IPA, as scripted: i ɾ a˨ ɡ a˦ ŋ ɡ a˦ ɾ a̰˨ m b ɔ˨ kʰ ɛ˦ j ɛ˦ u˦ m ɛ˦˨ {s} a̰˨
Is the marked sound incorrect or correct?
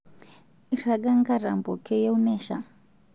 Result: incorrect